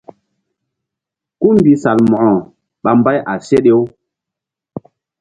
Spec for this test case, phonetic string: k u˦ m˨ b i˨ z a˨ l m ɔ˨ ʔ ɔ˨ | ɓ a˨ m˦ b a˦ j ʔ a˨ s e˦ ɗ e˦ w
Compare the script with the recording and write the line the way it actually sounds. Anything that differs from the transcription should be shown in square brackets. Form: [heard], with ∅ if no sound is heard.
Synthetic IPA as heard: k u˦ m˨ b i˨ [s] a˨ l m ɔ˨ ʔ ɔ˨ | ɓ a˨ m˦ b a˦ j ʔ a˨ s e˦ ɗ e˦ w